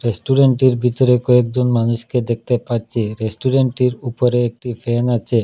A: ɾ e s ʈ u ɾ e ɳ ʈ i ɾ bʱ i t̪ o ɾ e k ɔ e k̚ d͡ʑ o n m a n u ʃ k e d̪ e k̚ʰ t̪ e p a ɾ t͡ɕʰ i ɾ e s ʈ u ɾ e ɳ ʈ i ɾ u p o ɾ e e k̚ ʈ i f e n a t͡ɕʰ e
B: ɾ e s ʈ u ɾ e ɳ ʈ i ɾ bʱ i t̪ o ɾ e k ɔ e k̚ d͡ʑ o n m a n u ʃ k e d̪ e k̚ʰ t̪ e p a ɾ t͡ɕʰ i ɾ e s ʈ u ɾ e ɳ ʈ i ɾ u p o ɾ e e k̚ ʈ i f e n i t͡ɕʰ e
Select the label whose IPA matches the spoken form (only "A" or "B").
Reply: A